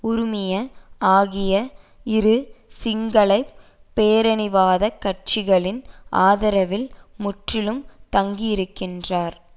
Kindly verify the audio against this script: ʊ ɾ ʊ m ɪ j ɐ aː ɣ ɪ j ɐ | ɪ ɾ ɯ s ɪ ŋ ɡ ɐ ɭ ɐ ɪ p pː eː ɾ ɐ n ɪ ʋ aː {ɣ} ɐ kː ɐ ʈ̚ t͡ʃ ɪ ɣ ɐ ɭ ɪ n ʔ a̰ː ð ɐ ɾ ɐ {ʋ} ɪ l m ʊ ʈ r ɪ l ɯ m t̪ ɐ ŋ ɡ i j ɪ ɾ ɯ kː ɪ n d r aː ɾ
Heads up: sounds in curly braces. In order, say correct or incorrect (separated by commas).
incorrect, correct